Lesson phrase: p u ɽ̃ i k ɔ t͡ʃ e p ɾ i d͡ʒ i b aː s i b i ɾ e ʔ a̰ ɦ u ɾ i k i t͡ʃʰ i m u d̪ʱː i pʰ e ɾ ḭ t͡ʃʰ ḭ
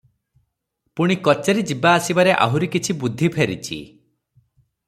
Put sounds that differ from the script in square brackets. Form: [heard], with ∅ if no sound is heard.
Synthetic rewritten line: p u ɽ̃ i k ɔ t͡ʃ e [∅] ɾ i d͡ʒ i b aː s i b [a] ɾ e ʔ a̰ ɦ u ɾ i k i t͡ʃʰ i [b] u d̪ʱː i pʰ e ɾ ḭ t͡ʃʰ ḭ